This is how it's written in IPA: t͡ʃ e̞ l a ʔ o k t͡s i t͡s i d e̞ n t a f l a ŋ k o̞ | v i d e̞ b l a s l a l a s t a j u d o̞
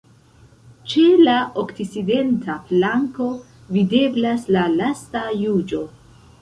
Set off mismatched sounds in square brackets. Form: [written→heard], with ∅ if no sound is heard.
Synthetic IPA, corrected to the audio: t͡ʃ e̞ l a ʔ o k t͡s i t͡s i d e̞ n t a f l a ŋ k o̞ | v i d e̞ b l a s l a l a s t a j u [d→d͡ʒ] o̞